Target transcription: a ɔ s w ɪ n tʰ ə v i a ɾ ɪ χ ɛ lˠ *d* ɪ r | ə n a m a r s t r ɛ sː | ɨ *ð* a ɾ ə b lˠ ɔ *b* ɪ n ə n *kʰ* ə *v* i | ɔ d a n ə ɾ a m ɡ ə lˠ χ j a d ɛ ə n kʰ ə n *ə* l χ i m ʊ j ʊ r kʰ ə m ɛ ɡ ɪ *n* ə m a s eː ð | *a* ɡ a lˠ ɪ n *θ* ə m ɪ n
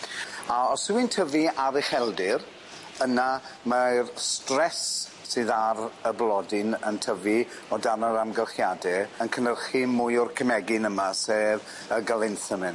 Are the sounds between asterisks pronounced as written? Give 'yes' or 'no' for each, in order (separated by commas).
yes, yes, no, no, yes, yes, yes, no, yes